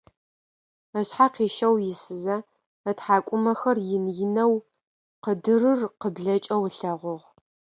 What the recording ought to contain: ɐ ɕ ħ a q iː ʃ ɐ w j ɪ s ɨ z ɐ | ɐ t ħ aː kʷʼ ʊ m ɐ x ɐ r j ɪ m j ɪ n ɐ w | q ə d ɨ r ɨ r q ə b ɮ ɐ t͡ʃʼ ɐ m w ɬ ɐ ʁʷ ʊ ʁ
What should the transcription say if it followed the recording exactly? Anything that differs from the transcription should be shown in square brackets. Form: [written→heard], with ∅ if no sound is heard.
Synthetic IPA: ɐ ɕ ħ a q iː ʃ ɐ w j ɪ s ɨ z ɐ | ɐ t ħ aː kʷʼ ʊ m ɐ x ɐ r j ɪ [m→n] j ɪ n ɐ w | q ə d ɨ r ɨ r q ə b ɮ ɐ t͡ʃʼ ɐ [m→∅] w ɬ ɐ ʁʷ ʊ ʁ